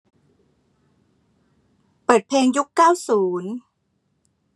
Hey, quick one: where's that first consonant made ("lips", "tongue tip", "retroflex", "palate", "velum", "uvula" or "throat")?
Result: lips